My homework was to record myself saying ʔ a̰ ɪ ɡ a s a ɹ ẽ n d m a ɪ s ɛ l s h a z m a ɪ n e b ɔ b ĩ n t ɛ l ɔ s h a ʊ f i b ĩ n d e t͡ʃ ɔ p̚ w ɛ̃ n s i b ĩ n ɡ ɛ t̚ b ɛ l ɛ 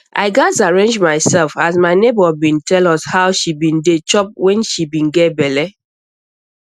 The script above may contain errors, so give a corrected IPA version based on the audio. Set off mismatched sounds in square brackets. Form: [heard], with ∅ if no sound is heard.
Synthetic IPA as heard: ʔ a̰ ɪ ɡ a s a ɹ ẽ n [d͡ʒ] m a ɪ s ɛ l [f] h a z m a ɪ n e b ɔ b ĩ n t ɛ l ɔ s h a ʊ [ʃ] i b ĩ n d e t͡ʃ ɔ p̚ w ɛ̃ n [ʃ] i b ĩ n ɡ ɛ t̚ b ɛ l ɛ